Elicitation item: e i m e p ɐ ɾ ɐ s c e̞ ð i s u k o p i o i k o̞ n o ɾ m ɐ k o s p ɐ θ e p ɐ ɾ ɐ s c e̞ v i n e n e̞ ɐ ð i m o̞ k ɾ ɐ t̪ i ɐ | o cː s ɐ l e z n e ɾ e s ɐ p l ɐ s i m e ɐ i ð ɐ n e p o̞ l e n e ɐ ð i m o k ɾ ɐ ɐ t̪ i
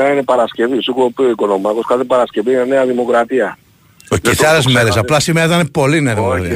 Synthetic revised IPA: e i n e p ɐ ɾ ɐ s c e̞ v i s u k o p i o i k o̞ n o m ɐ k o s k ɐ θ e p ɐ ɾ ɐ s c e̞ v i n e n e̞ ɐ ð i m o̞ k ɾ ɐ t̪ i ɐ | o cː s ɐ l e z m e ɾ e s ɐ p l ɐ s i m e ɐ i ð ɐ n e p o̞ l i n e ɐ ð i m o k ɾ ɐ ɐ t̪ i